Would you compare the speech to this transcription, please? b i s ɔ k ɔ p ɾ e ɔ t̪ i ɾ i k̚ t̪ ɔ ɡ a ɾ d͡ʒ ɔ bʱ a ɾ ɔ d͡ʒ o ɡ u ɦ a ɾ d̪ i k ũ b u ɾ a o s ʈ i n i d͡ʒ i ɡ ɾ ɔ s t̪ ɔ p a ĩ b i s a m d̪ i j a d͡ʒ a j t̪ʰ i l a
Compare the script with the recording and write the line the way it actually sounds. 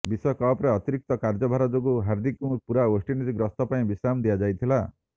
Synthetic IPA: b i s ɔ k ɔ p ɾ e ɔ t̪ i ɾ i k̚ t̪ ɔ k a ɾ d͡ʒ ɔ bʱ a ɾ ɔ d͡ʒ o ɡ u ɦ a ɾ d̪ i k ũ p u ɾ a o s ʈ i n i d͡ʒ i ɡ ɾ ɔ s t̪ ɔ p a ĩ b i s a m d̪ i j a d͡ʒ a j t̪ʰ i l a